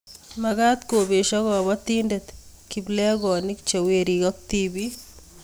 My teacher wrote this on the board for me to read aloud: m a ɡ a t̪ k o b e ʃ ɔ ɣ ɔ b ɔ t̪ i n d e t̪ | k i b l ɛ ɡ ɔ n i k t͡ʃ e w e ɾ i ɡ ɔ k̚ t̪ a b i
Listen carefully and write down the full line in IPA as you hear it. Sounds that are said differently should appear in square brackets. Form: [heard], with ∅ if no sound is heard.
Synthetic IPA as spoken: m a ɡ a t̪ k o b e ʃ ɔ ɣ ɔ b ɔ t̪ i n d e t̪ | k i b l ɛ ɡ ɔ n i k t͡ʃ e w e ɾ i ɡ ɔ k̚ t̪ [i] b i

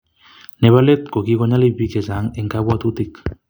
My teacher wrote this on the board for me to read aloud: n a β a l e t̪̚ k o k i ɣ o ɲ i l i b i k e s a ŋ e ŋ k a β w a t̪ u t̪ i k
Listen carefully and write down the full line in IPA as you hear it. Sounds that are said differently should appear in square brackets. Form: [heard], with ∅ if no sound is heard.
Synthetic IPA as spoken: n [e] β a l e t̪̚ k o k i ɣ o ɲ [a] l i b i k e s a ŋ e ŋ k a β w a t̪ u t̪ i k

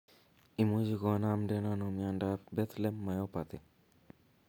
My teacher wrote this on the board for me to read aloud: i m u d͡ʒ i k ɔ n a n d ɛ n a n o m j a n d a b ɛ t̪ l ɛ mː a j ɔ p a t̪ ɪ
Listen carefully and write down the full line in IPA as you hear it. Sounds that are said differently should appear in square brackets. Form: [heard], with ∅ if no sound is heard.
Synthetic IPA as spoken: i m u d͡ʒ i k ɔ n a [m] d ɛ n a n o m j a n d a b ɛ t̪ l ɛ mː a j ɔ p a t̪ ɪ

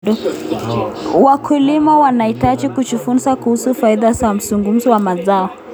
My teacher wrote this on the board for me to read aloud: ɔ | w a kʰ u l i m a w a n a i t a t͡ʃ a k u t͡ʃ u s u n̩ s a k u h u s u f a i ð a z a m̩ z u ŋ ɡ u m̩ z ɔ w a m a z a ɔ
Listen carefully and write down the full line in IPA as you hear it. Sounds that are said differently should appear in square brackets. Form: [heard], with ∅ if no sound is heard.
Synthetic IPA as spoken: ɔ | w a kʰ u l i m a w a n a i t a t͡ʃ [i] k u t͡ʃ u [f] u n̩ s a k u h u s u f a i ð a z a m̩ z u ŋ ɡ u m̩ z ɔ w a m a z a ɔ

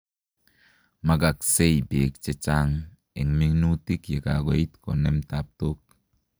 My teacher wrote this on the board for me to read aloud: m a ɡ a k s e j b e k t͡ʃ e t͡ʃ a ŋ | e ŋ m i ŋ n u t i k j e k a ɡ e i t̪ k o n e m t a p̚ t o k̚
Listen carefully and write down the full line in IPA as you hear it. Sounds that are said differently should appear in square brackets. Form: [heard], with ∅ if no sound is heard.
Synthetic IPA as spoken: m a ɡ a k s e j b e k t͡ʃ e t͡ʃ a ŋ | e ŋ m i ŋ n u t i k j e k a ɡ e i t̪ k o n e m t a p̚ t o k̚

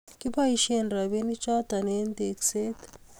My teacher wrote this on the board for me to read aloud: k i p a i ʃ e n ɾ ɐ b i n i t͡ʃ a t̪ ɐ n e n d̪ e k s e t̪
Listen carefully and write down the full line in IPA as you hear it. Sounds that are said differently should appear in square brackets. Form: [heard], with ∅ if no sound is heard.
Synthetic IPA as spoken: k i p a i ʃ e n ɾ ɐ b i n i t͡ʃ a t̪ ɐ n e n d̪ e k s e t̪

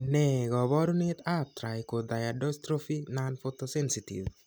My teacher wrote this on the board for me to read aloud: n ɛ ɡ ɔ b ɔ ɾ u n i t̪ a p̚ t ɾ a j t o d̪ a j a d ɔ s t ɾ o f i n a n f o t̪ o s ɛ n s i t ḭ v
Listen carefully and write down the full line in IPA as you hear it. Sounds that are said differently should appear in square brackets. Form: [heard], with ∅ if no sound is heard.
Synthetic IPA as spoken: n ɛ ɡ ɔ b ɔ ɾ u n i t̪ a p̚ t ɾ a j [k] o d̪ a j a d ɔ s t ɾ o f i n a n f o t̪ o s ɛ n s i t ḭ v

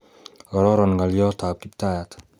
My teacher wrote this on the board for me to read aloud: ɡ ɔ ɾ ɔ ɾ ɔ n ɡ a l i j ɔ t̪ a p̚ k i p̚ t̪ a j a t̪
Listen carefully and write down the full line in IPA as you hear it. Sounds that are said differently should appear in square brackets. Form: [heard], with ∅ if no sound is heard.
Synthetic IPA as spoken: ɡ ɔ ɾ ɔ ɾ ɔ n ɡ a l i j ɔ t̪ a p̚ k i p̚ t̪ a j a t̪

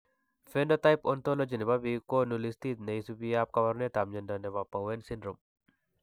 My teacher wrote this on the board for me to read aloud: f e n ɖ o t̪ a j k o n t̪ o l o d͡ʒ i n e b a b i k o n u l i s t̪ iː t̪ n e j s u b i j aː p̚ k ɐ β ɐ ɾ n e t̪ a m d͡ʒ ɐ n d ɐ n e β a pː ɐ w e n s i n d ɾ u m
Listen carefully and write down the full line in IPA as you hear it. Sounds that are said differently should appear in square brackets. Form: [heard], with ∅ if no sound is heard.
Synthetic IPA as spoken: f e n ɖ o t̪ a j [p] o n t̪ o l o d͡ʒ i n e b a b i k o n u l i s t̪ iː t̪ n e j s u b i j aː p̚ k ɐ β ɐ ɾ n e t̪ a m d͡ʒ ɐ n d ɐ n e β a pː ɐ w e n s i n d ɾ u m

